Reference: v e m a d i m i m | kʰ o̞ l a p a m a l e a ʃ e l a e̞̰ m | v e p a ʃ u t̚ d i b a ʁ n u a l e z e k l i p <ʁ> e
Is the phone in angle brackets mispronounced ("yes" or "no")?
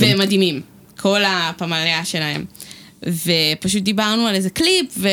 yes